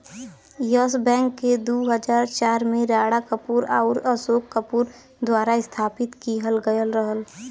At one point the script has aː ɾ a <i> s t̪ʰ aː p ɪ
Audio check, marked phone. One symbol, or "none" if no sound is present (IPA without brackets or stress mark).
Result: ɪ